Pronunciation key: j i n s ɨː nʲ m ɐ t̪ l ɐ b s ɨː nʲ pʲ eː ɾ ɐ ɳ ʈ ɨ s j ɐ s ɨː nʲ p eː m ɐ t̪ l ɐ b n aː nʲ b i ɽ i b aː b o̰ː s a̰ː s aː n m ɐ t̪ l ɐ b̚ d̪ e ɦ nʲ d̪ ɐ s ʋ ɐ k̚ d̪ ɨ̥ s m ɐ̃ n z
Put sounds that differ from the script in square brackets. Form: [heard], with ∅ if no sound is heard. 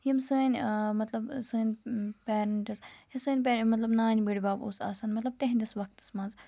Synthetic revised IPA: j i [m] s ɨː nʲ m ɐ t̪ l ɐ b s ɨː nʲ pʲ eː ɾ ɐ ɳ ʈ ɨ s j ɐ s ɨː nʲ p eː m ɐ t̪ l ɐ b n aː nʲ b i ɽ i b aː b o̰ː s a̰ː s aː n m ɐ t̪ l ɐ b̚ [t̪] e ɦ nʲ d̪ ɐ s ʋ ɐ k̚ [t̪] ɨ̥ s m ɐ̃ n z